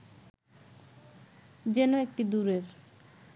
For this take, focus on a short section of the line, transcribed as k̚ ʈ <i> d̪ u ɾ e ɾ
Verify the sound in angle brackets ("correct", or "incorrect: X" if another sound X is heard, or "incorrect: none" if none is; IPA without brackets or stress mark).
correct